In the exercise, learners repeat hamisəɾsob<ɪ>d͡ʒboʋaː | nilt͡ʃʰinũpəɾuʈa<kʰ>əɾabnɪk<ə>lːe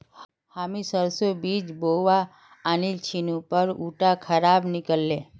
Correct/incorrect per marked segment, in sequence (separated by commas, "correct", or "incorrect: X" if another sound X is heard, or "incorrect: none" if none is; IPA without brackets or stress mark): incorrect: i, correct, correct